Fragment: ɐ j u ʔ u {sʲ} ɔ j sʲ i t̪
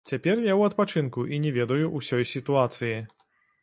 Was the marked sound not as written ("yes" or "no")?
no